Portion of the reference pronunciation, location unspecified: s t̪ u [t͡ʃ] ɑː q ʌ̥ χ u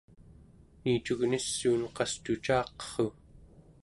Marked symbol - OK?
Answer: yes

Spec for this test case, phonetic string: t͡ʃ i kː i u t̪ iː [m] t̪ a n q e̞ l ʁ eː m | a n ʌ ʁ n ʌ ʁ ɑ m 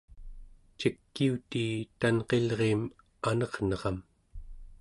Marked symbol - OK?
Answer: no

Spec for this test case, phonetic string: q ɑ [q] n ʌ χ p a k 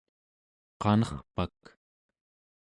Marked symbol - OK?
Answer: no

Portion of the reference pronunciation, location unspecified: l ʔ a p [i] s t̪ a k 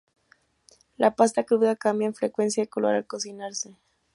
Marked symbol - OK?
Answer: no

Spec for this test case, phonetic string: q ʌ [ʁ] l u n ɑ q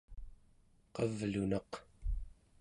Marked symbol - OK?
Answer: no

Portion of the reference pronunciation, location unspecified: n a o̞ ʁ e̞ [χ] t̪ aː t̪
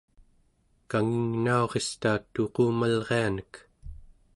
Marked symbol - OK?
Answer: no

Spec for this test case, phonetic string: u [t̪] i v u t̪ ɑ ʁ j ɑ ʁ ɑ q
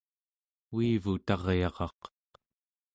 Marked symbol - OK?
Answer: no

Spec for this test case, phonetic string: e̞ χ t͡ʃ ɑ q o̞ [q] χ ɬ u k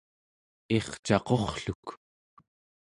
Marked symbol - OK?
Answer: no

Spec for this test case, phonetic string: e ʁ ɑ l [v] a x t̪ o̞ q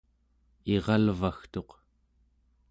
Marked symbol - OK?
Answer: yes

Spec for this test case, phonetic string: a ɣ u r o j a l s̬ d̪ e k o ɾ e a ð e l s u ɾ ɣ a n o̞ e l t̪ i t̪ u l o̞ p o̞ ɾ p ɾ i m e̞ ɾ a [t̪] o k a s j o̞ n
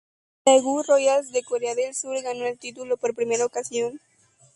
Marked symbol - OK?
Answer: no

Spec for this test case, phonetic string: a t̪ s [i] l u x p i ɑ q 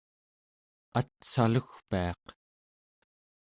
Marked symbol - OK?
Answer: no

